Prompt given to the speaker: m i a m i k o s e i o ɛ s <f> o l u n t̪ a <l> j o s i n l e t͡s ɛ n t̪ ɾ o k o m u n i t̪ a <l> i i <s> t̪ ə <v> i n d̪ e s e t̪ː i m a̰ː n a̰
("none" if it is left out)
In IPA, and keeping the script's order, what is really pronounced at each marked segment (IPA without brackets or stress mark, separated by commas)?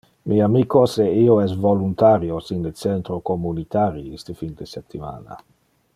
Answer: v, ɾ, ɾ, s, f